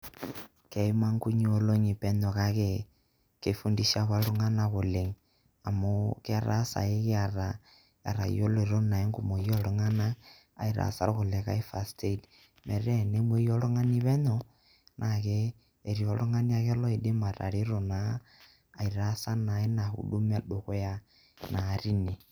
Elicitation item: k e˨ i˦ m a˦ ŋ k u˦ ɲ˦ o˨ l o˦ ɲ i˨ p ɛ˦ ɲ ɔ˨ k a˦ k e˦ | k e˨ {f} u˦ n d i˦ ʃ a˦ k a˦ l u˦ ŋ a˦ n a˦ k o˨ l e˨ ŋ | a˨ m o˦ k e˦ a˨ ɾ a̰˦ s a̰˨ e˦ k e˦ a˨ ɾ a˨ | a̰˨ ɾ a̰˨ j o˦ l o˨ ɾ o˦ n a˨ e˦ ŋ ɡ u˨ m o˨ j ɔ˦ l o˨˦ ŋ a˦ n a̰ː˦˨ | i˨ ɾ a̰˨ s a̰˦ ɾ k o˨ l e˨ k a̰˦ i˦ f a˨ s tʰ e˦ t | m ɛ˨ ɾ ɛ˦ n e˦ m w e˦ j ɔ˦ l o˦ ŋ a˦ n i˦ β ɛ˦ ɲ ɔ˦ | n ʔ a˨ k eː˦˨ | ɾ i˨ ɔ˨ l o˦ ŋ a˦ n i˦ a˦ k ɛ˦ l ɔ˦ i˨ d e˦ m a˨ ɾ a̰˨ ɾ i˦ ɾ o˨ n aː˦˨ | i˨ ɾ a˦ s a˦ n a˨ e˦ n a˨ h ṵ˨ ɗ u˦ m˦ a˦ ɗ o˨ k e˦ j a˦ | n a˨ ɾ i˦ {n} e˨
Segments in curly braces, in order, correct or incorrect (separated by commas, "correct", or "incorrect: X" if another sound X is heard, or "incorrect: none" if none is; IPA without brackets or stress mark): correct, correct